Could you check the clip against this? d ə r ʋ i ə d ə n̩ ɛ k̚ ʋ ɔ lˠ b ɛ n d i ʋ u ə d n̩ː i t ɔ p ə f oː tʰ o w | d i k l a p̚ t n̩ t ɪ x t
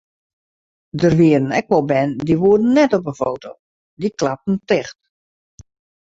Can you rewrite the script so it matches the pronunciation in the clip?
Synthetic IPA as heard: d ə r ʋ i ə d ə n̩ ɛ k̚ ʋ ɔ lˠ b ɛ n d i ʋ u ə d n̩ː ɛ t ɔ p ə f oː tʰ o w | d i k l a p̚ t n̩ t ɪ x t